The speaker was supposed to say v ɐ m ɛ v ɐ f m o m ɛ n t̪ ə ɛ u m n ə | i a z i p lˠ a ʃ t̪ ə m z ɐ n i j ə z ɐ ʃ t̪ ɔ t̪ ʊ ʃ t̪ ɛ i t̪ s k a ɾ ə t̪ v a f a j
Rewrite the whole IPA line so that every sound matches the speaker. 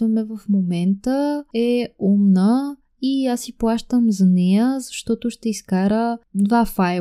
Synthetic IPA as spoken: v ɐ m ɛ v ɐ f m o m ɛ n t̪ ə ɛ u m n ə | i a s i p lˠ a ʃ t̪ ə m z ɐ n ɛ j ə z ɐ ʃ t̪ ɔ t̪ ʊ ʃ t̪ ɛ i s k a ɾ ə d̪ v a f a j